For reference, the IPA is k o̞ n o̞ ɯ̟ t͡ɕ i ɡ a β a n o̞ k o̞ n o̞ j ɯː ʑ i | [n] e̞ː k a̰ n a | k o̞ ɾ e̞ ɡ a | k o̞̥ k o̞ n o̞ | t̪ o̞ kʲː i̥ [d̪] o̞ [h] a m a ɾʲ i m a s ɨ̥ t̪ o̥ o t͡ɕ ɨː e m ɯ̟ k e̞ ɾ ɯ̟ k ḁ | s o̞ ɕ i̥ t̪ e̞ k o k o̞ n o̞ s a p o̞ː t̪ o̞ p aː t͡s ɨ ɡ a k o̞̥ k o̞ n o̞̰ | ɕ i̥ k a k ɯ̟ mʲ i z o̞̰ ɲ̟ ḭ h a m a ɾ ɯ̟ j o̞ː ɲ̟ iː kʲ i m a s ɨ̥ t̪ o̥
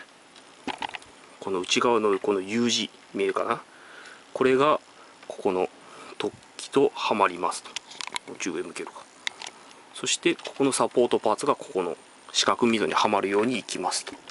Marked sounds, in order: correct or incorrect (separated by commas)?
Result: incorrect, incorrect, correct